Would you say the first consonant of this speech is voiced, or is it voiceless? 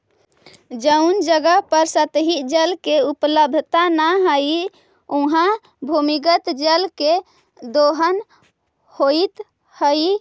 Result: voiced